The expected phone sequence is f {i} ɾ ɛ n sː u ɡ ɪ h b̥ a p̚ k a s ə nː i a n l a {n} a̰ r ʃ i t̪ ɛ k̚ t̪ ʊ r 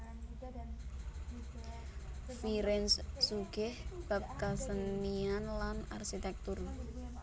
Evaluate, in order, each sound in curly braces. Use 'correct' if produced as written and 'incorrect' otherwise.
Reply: correct, correct

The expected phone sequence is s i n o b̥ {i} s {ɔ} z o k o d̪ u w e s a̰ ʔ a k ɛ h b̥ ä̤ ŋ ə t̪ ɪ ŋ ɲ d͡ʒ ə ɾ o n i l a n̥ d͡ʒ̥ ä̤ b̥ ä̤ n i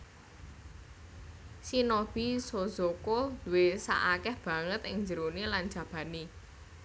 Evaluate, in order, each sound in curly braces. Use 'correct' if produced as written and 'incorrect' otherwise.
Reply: correct, incorrect: o

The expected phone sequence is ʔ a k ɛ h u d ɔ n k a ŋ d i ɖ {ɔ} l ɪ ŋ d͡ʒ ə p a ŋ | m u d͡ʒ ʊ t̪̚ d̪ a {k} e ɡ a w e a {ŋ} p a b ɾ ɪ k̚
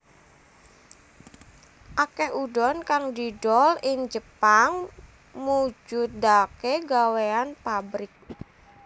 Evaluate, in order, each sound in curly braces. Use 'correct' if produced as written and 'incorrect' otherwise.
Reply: correct, correct, incorrect: n

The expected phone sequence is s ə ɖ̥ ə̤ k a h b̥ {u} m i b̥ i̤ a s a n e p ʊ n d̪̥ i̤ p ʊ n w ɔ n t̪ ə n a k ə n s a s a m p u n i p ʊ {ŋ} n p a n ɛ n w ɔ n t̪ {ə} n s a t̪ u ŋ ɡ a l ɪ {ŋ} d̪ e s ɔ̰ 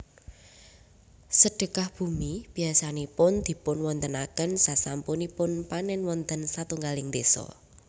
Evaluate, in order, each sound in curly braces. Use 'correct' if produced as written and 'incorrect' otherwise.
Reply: correct, incorrect: none, correct, correct

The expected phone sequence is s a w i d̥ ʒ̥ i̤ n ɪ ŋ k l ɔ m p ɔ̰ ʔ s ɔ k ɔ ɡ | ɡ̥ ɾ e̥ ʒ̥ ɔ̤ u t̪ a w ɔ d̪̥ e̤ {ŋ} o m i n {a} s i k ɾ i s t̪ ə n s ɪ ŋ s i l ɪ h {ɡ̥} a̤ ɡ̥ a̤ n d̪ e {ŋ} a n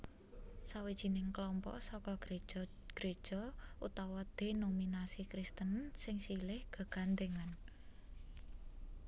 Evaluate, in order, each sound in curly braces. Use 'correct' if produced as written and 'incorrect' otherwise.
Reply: incorrect: n, correct, correct, correct

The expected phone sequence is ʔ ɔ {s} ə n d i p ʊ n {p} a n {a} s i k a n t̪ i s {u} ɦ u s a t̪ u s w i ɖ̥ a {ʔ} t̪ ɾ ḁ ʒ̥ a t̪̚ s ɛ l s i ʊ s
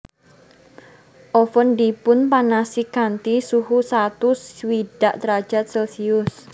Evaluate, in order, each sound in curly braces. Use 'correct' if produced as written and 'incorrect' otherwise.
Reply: incorrect: f, correct, correct, correct, correct

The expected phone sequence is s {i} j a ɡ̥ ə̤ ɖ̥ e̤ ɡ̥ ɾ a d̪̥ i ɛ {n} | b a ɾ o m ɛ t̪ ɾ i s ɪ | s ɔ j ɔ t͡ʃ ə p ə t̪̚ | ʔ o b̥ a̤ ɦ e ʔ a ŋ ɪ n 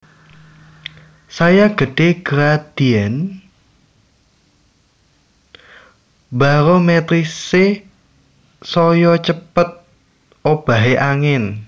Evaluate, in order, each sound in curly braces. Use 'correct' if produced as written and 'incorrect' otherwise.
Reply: incorrect: a, correct

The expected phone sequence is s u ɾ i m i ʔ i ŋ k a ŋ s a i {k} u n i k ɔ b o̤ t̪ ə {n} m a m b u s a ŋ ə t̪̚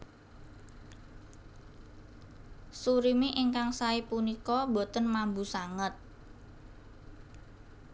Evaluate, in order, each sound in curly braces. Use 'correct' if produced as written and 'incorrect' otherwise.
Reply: incorrect: p, correct

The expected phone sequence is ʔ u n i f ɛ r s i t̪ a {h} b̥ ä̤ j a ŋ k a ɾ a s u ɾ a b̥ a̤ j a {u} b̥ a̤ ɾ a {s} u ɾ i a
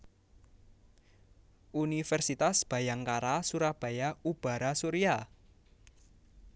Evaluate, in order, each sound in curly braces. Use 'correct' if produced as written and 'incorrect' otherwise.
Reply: incorrect: s, correct, correct

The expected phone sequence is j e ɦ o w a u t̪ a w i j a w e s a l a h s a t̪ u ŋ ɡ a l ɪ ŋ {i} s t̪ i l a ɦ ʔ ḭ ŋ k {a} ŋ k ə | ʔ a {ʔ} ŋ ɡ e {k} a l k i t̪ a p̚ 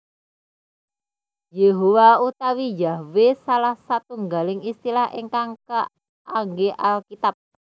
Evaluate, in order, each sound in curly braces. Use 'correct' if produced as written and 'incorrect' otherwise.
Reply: correct, correct, incorrect: none, incorrect: ʔ

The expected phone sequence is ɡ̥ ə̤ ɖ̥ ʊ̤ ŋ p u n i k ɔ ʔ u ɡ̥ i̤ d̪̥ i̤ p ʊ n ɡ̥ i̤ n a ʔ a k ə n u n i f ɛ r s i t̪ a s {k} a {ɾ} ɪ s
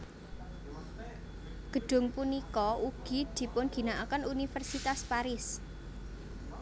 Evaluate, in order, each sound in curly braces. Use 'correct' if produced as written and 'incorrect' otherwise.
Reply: incorrect: p, correct

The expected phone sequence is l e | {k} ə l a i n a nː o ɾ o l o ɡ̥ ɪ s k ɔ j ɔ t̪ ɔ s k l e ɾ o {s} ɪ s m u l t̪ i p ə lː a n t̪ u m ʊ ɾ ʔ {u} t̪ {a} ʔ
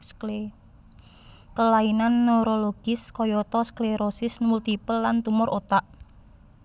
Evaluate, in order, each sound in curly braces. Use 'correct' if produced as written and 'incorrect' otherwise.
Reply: correct, correct, incorrect: o, correct

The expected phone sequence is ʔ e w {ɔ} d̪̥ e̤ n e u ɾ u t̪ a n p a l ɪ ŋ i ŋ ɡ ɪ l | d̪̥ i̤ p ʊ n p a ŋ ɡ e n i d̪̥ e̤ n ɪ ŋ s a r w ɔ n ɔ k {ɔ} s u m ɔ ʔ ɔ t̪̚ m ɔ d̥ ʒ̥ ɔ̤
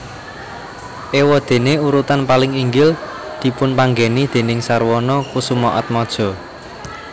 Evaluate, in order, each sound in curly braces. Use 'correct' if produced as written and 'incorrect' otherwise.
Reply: correct, incorrect: u

